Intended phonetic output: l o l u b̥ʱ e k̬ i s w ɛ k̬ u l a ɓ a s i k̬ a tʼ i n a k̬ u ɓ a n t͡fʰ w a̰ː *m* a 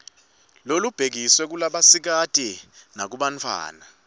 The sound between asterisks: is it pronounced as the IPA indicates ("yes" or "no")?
no